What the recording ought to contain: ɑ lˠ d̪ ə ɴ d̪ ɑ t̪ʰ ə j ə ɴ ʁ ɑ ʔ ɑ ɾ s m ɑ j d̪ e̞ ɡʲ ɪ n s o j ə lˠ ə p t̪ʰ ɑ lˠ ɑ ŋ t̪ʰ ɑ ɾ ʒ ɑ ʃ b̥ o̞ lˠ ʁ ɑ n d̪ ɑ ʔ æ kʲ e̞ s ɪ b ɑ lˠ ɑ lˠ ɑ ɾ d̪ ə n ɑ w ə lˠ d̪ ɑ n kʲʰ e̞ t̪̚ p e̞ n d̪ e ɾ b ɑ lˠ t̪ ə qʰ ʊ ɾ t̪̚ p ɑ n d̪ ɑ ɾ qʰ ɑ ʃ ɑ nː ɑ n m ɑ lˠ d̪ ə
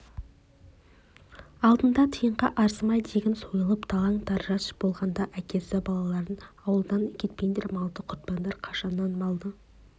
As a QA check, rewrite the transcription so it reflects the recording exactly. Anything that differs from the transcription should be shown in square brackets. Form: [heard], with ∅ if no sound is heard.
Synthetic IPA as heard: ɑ lˠ d̪ ə [n] d̪ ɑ t̪ʰ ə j ə ɴ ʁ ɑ ʔ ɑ ɾ s m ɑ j d̪ e̞ ɡʲ ɪ n s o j ə lˠ ə p t̪ʰ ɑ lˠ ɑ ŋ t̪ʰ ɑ ɾ ʒ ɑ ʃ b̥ o̞ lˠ ʁ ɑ n d̪ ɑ ʔ æ kʲ e̞ s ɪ b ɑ lˠ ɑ lˠ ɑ ɾ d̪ ə n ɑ w ə lˠ d̪ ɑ n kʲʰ e̞ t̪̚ p e̞ n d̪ e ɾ [m] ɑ lˠ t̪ ə qʰ ʊ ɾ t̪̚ p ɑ n d̪ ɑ ɾ qʰ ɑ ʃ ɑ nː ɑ n m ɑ lˠ d̪ ə